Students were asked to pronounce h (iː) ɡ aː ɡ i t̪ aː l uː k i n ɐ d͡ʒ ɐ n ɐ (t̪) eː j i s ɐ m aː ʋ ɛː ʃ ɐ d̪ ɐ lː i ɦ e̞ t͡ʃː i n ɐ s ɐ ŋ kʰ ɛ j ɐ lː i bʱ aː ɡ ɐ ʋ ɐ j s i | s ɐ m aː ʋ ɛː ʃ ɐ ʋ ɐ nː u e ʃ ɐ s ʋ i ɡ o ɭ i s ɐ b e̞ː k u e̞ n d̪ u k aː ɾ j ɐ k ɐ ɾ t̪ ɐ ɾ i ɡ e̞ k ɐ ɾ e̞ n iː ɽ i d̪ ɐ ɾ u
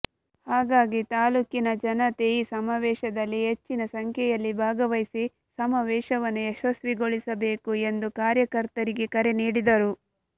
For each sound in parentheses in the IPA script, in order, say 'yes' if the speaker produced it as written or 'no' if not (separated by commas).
no, yes